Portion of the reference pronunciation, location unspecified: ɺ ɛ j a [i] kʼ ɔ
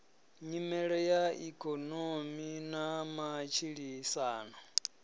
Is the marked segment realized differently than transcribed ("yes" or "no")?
no